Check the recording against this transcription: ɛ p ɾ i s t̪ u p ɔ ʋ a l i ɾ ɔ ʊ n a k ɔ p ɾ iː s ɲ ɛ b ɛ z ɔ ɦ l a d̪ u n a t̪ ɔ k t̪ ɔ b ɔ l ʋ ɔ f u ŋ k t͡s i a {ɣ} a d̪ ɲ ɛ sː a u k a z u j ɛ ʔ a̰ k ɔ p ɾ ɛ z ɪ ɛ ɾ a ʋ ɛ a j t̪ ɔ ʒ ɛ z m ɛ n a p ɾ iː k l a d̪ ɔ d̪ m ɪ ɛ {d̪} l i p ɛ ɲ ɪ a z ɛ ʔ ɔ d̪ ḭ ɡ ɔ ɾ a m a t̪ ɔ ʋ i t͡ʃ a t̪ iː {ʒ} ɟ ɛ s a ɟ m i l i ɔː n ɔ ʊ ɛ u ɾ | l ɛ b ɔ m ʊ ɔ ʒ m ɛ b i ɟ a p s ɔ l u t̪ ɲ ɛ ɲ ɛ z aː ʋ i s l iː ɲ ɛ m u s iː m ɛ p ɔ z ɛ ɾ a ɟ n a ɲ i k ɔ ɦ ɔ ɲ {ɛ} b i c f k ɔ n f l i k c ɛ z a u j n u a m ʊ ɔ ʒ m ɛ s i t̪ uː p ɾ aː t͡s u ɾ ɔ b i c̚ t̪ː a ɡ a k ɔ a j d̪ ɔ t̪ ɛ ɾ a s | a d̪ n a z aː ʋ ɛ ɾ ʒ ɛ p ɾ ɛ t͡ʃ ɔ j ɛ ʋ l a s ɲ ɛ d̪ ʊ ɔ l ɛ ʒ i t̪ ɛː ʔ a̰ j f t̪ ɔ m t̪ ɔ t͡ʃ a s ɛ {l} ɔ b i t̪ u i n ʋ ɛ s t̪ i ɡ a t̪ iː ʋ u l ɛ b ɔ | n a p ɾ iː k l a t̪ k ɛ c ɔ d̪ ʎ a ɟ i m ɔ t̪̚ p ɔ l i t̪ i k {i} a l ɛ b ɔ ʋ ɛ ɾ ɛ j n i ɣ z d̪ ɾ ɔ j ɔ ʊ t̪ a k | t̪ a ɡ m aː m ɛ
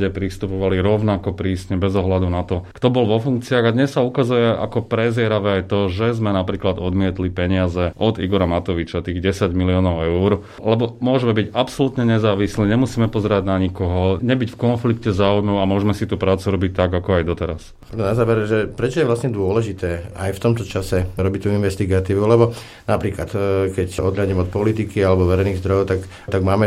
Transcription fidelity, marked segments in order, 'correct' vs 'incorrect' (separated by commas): correct, incorrect, incorrect, correct, incorrect, correct